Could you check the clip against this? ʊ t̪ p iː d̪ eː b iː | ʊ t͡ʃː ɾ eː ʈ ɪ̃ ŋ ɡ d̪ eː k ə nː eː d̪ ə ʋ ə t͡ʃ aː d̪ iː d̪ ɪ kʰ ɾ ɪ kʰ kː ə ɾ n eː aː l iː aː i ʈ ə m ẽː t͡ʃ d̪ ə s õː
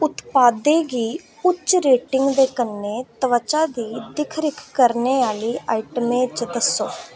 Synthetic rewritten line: ʊ t̪ p aː d̪ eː ɡ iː | ʊ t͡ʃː ɾ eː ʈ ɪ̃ ŋ ɡ d̪ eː k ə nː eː t̪ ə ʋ ə t͡ʃ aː d̪ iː d̪ ɪ kʰ ɾ ɪ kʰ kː ə ɾ n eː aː l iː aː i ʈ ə m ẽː t͡ʃ d̪ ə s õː

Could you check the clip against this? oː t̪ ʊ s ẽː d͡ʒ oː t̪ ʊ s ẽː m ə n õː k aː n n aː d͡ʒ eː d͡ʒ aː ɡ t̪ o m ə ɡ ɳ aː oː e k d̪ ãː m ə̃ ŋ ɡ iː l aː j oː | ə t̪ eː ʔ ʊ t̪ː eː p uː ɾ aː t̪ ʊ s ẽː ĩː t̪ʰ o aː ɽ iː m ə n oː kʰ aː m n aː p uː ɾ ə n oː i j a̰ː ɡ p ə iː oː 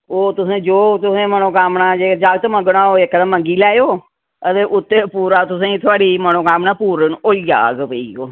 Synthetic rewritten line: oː t̪ ʊ s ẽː d͡ʒ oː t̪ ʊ s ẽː m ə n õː k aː m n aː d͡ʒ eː d͡ʒ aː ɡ t̪ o m ə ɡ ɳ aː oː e k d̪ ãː m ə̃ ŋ ɡ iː l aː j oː | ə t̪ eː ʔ ʊ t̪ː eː p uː ɾ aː t̪ ʊ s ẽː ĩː t̪ʰ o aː ɽ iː m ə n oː k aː m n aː p uː ɾ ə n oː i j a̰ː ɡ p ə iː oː

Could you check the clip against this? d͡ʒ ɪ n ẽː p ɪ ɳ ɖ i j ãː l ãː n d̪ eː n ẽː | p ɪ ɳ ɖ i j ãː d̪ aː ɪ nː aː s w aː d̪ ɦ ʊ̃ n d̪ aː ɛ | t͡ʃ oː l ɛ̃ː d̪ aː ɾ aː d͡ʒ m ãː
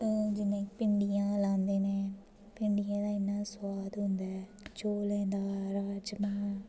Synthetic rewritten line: d͡ʒ ɪ n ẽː p ɪ ɳ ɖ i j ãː l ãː n d̪ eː n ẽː | p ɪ ɳ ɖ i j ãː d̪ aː ɪ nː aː s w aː d̪ ɦ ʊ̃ n d̪ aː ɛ | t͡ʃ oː l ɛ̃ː d̪ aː ɾ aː d͡ʒ m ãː

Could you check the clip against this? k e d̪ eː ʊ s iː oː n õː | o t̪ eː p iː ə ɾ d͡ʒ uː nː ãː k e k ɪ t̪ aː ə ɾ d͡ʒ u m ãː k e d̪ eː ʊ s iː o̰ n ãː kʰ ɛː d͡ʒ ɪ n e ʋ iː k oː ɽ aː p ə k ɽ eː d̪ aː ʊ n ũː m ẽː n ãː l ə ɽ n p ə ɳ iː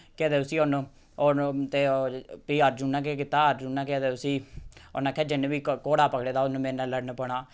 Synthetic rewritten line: k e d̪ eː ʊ s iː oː n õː | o t̪ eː p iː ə ɾ d͡ʒ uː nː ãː k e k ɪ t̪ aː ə ɾ d͡ʒ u n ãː k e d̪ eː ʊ s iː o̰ n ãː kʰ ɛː d͡ʒ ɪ n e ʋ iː k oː ɽ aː p ə k ɽ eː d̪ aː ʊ n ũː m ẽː n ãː l ə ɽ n p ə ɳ aː

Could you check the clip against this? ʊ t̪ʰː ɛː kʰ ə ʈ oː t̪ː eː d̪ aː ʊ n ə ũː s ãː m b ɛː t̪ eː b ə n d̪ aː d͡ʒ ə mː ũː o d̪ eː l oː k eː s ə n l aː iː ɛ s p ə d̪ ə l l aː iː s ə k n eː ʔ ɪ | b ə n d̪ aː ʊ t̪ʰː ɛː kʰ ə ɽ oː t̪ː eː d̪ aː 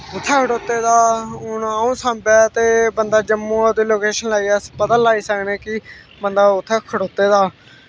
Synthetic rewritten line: ʊ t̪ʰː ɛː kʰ ə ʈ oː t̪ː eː d̪ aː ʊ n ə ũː s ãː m b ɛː t̪ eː b ə n d̪ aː d͡ʒ ə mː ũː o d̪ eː l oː k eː ʃ ə n l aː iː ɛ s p ə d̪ ə l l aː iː s ə k n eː k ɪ | b ə n d̪ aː ʊ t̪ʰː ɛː kʰ ə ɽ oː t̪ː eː d̪ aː

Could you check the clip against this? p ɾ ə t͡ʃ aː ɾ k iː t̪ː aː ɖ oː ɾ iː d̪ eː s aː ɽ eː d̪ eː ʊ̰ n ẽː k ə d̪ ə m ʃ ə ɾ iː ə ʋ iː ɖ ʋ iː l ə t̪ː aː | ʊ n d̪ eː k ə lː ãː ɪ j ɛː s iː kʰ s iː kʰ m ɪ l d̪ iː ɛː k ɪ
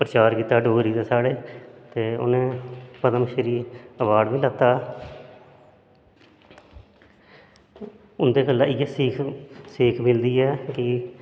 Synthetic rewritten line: p ɾ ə t͡ʃ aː ɾ k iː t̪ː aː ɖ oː ɾ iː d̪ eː s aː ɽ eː t̪ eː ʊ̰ n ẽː p ə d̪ ə m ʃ ə ɾ iː ə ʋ aː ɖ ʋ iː l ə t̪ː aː | ʊ n d̪ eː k ə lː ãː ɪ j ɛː s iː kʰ s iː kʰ m ɪ l d̪ iː ɛː k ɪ

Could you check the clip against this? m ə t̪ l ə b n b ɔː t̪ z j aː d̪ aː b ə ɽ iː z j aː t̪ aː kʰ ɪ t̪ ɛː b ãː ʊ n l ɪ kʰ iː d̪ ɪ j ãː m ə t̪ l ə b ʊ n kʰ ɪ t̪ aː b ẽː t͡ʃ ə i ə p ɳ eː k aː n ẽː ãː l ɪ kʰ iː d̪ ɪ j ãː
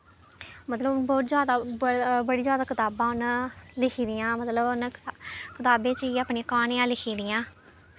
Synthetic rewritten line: m ə t̪ l ə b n b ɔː t̪ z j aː d̪ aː b ə ɽ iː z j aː d̪ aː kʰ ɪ t̪ aː b ãː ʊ n l ɪ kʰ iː d̪ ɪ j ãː m ə t̪ l ə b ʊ n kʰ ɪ t̪ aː b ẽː t͡ʃ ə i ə p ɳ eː k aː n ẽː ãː l ɪ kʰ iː d̪ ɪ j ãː

